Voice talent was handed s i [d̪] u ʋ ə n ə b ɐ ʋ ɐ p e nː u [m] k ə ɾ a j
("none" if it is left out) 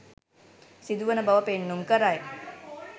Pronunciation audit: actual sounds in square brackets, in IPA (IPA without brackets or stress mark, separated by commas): d̪, m